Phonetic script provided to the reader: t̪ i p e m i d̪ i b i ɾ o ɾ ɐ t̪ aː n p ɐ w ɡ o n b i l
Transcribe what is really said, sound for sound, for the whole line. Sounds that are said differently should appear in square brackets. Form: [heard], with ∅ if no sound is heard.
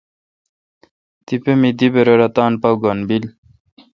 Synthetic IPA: t̪ i p e m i d̪ i b [e] ɾ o ɾ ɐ t̪ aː n p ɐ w ɡ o n b i l